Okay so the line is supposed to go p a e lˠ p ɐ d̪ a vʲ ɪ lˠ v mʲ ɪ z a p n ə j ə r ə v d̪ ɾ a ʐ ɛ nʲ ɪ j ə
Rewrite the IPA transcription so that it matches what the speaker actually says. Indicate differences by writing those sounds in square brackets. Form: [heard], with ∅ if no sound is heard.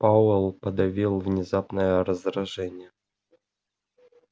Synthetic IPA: p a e lˠ p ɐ d̪ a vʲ [i] lˠ v [nʲ] ɪ z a p n ə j ə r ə [z] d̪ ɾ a ʐ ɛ nʲ ɪ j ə

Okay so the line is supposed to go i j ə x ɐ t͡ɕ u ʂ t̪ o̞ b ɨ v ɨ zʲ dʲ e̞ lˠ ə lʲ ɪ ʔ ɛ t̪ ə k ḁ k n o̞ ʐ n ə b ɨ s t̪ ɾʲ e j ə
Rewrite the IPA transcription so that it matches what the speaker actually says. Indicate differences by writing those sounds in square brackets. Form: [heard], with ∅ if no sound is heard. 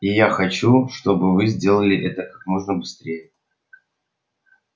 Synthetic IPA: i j [a] x ɐ t͡ɕ u ʂ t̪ o̞ b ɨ v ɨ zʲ dʲ e̞ lˠ ə lʲ ɪ ʔ ɛ t̪ ə k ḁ k [m] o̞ ʐ n ə b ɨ s t̪ ɾʲ e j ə

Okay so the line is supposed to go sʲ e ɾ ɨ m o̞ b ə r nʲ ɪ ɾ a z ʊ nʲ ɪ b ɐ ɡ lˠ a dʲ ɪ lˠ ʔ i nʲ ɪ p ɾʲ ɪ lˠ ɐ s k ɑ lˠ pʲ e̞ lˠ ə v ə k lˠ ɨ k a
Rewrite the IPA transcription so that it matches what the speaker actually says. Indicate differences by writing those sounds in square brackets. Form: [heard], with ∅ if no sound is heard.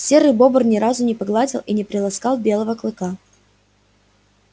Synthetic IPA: sʲ e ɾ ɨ [b] o̞ b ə r nʲ ɪ ɾ a z ʊ nʲ ɪ [p] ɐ ɡ lˠ a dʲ ɪ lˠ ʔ i nʲ ɪ p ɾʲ ɪ lˠ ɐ s k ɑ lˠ [bʲ] e̞ lˠ ə v ə k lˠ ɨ k a

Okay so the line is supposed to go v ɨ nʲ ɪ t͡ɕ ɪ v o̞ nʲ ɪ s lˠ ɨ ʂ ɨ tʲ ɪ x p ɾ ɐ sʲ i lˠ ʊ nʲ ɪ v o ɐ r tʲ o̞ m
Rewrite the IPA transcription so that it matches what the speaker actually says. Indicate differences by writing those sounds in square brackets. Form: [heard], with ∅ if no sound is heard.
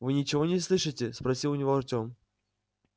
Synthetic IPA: v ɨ nʲ ɪ t͡ɕ ɪ v o̞ nʲ ɪ s lˠ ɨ ʂ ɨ tʲ ɪ [s] p ɾ ɐ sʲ i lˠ ʊ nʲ ɪ v o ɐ r tʲ o̞ m

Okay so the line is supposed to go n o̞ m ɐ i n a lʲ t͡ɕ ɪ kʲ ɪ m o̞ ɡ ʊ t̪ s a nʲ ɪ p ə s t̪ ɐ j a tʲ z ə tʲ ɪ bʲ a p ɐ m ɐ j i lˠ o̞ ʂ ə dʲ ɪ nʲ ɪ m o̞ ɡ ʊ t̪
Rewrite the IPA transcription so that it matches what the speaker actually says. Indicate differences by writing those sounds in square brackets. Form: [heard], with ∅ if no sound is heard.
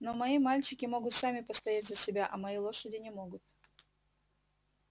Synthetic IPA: n o̞ m ɐ i [m] a lʲ t͡ɕ ɪ kʲ ɪ m o̞ ɡ ʊ t̪ s a [mʲ] ɪ p ə s t̪ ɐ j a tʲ z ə [sʲ] ɪ bʲ a [ʔ] ɐ m ɐ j i lˠ o̞ ʂ ə dʲ ɪ nʲ ɪ m o̞ ɡ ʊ t̪

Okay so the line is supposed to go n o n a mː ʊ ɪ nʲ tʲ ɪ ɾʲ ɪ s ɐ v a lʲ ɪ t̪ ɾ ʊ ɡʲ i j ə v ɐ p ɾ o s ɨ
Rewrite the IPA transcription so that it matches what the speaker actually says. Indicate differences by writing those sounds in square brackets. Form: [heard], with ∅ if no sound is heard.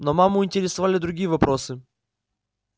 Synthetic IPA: n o [m] a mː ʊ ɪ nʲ tʲ ɪ ɾʲ ɪ s ɐ v a lʲ ɪ [d̪] ɾ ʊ ɡʲ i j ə v ɐ p ɾ o s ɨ

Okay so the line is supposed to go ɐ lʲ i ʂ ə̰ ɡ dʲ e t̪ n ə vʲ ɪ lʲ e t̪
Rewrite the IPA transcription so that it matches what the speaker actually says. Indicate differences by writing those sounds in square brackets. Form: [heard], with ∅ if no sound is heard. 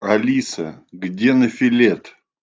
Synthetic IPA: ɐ lʲ i [s] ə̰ ɡ dʲ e [∅] n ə [fʲ] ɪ lʲ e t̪

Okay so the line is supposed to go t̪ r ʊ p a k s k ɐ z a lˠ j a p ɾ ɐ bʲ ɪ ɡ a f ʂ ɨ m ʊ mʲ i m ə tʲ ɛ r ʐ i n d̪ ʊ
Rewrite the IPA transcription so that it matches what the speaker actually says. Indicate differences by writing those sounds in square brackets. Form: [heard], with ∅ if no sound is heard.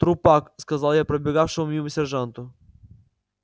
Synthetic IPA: t̪ [ɾ] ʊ p a k s k ɐ z a lˠ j a p ɾ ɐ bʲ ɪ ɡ a f ʂ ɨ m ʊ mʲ i m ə [sʲ] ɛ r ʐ [a] n [t̪] ʊ

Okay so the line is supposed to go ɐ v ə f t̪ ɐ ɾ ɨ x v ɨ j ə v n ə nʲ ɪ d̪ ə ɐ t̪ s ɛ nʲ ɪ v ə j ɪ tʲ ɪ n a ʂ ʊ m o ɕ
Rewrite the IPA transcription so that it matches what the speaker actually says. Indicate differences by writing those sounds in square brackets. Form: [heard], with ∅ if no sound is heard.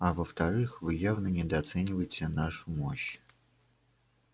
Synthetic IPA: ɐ v ə f t̪ ɐ ɾ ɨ x v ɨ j [a] v n ə nʲ ɪ d̪ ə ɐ t̪ s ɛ nʲ ɪ v ə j ɪ tʲ ɪ n a ʂ ʊ m o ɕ

